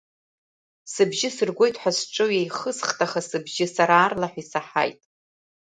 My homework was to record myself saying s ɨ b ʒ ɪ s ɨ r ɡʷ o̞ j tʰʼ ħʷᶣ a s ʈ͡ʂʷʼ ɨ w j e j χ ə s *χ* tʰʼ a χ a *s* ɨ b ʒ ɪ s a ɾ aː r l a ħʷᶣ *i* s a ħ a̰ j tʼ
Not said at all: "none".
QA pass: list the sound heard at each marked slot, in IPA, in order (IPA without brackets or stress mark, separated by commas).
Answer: χ, s, i